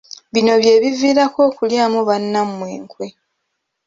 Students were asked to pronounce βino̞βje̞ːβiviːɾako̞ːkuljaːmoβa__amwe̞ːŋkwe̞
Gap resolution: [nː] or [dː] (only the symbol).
nː